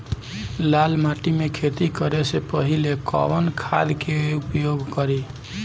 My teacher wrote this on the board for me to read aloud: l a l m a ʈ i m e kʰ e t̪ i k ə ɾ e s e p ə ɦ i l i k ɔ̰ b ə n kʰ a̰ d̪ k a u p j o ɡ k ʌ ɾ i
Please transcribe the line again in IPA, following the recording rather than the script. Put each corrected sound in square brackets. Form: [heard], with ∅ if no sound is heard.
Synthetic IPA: l a l m a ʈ i m e kʰ e t̪ i k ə ɾ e s e p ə ɦ i l [e] k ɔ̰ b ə n kʰ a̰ d̪ k [e] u p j o ɡ k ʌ ɾ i